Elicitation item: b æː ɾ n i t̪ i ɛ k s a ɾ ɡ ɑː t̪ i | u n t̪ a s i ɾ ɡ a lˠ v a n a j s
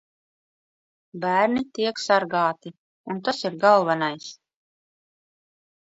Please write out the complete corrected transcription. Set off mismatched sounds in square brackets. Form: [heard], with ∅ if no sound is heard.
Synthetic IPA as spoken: b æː ɾ n i t̪ i ɛ k s a ɾ ɡ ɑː t̪ i | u n t̪ a s i ɾ ɡ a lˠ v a n a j s